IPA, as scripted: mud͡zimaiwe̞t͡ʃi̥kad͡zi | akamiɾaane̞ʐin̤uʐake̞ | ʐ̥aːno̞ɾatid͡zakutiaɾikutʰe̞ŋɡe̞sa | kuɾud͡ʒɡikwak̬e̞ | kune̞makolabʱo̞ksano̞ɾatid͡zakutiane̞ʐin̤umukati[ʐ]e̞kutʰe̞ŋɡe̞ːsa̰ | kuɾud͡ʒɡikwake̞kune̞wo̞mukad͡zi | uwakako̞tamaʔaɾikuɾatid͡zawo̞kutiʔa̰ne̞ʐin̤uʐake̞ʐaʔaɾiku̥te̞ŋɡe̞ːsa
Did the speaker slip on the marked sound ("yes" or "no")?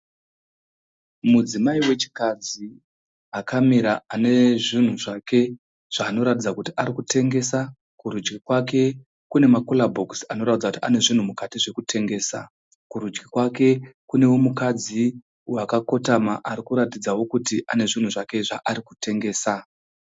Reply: no